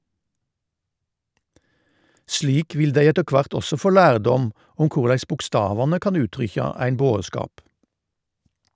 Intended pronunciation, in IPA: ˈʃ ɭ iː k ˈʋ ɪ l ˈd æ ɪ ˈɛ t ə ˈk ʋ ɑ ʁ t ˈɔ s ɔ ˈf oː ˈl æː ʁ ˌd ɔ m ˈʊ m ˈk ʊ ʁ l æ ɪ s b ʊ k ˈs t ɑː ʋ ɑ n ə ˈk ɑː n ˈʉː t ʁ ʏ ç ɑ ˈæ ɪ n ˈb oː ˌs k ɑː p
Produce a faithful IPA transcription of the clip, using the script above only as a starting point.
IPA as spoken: ˈʃ ɭ iː k ˈʋ ɪ l ˈd æ ɪ ˈɛ t ə ˈk ʋ ɑ ʁ t ˈɔ s ɔ ˈf oː ˈl æː ʁ ˌd ɔ m ˈʊ m ˈk ʊ ʁ l æ ɪ s b ʊ k ˈs t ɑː ʋ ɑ n ə ˈk ɑ n ˈʉː t ʁ ʏ ç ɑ ˈæ ɪ n ˈb oː ˌs k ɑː p